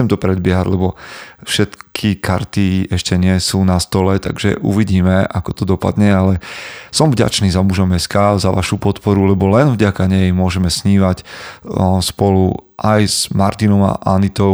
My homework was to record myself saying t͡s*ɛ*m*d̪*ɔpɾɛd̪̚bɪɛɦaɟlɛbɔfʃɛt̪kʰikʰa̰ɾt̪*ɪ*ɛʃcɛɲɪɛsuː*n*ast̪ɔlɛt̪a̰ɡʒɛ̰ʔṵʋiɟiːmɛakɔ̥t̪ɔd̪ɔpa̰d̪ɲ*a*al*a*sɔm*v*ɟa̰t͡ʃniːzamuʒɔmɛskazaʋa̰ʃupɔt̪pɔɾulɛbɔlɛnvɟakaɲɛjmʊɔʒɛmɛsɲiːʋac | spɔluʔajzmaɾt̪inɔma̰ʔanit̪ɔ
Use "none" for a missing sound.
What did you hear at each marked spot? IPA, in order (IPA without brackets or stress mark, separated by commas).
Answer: ɛ, t̪, i, n, ɛ, ɛ, v